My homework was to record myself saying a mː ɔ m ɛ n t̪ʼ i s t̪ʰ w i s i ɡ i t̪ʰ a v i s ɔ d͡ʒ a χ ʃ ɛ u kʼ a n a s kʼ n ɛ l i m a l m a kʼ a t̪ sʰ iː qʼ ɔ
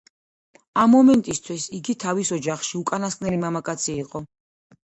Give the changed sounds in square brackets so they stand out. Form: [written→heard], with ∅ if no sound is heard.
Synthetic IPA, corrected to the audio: a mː ɔ m ɛ n t̪ʼ i s t̪ʰ w i s i ɡ i t̪ʰ a v i s ɔ d͡ʒ a χ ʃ [ɛ→i] u kʼ a n a s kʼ n ɛ l i m a [l→∅] m a kʼ a t̪ sʰ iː qʼ ɔ